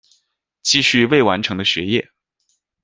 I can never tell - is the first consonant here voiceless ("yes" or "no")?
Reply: yes